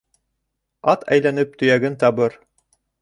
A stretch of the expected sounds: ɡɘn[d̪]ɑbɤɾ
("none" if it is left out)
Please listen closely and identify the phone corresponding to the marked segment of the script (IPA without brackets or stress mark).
t̪